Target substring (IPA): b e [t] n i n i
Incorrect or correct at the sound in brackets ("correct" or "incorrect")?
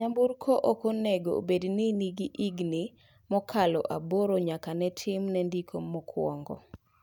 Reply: incorrect